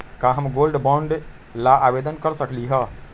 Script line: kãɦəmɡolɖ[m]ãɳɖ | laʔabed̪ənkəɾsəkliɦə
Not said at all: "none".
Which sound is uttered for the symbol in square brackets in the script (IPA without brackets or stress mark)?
b